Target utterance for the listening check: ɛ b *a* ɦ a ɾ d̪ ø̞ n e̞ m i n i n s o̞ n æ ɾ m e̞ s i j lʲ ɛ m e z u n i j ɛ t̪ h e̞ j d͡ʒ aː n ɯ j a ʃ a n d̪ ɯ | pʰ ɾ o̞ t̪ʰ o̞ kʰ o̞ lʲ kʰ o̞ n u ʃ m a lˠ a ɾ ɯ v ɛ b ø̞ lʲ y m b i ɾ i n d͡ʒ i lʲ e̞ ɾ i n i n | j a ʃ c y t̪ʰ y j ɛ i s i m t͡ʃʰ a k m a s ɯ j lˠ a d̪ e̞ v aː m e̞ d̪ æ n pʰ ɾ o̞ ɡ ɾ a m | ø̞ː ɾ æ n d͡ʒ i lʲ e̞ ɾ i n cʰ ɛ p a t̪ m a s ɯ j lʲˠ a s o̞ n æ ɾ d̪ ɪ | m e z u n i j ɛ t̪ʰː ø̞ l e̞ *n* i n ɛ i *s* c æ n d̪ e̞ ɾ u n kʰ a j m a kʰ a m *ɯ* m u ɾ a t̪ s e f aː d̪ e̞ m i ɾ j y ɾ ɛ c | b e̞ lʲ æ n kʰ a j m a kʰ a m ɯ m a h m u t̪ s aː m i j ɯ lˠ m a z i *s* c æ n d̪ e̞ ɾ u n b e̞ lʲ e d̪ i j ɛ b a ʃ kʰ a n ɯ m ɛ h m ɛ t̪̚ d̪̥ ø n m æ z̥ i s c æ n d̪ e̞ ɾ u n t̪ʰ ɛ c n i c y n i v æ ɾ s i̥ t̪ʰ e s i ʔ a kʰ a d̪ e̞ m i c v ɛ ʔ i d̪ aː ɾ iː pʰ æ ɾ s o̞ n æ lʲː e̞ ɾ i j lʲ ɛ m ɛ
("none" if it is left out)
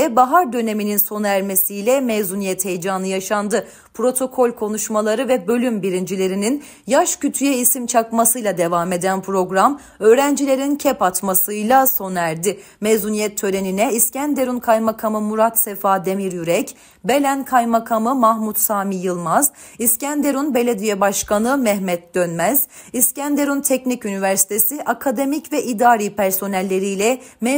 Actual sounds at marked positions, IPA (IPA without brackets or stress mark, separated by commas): a, n, s, ɯ, s